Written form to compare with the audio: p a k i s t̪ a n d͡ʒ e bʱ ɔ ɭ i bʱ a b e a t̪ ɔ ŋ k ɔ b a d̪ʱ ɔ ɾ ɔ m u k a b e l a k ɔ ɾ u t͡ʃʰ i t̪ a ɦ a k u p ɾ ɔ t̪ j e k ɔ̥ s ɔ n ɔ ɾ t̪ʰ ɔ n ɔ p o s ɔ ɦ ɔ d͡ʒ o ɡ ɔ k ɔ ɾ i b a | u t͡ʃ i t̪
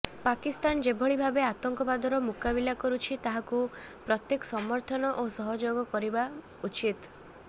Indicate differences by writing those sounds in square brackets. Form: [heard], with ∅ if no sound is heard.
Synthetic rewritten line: p a k i s t̪ a n d͡ʒ e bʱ ɔ ɭ i bʱ a b e a t̪ ɔ ŋ k ɔ b a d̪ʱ ɔ ɾ ɔ m u k a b [i] l a k ɔ ɾ u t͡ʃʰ i t̪ a ɦ a k u p ɾ ɔ t̪ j e k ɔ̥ s ɔ [m] ɔ ɾ t̪ʰ ɔ n ɔ [ʔ] o s ɔ ɦ ɔ d͡ʒ o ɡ ɔ k ɔ ɾ i b a | u t͡ʃ i t̪